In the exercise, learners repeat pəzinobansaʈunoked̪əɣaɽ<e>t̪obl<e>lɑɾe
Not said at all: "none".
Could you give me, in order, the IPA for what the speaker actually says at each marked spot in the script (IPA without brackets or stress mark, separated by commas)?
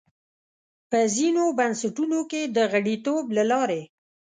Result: i, a